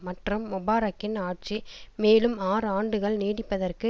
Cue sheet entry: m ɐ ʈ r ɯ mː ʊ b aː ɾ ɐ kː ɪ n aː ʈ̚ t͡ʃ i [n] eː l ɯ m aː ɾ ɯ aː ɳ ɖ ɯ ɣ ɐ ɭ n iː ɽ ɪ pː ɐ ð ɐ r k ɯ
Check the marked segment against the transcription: incorrect: m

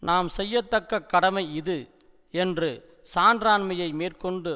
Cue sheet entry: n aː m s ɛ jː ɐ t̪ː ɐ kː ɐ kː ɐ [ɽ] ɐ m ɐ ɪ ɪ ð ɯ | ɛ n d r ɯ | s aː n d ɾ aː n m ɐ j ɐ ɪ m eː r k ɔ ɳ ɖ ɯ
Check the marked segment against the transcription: correct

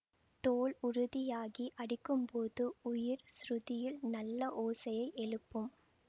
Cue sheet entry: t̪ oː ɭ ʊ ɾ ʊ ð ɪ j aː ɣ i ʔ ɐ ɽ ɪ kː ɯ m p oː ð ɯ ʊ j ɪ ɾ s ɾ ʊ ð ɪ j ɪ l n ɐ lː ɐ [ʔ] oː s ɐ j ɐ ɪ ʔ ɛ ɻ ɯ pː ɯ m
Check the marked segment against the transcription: correct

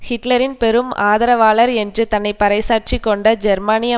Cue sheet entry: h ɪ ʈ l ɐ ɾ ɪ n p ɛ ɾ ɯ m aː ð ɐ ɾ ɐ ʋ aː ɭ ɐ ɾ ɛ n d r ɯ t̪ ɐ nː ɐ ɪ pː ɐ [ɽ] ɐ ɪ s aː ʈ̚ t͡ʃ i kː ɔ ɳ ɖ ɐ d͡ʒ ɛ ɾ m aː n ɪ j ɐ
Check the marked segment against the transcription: incorrect: ɾ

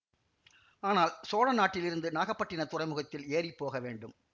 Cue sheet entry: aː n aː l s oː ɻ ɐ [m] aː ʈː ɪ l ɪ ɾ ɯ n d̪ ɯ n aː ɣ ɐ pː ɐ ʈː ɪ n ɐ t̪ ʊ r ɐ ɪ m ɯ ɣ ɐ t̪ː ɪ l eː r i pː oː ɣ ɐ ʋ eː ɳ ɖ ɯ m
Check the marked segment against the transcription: incorrect: n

